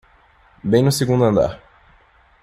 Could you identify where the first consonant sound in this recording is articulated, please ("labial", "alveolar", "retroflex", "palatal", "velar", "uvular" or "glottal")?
labial